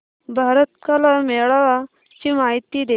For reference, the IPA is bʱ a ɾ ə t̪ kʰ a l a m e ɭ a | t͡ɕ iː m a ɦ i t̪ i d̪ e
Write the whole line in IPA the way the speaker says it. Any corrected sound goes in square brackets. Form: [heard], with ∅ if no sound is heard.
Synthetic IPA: bʱ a ɾ ə t̪ [k] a l a m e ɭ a | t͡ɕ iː m a ɦ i t̪ i d̪ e